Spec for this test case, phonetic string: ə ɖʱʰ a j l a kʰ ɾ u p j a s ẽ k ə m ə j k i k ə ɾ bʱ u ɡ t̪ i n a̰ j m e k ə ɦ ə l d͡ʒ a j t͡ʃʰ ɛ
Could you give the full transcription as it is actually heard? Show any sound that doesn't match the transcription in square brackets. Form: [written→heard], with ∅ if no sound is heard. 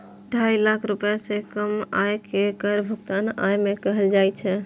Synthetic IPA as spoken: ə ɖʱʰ a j l a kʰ ɾ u p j a s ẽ k ə m [ə→a] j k [i→e] k ə ɾ bʱ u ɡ t̪ [i→a] n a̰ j m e k ə ɦ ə l d͡ʒ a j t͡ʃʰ ɛ